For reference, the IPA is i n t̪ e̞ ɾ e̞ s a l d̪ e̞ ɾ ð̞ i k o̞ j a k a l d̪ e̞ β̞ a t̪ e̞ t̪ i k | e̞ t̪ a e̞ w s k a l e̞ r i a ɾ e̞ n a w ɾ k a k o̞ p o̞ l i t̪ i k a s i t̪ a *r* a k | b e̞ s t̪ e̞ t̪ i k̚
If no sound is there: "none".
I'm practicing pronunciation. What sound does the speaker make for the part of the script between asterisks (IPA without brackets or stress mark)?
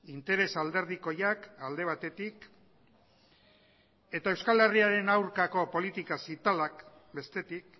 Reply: l